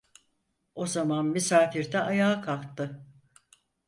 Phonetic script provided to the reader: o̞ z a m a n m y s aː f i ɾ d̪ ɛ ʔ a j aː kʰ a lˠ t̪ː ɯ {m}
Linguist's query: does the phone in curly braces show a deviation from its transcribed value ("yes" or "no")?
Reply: yes